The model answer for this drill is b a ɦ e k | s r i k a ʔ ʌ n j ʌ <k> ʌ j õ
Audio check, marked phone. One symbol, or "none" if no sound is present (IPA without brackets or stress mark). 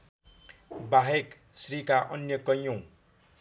k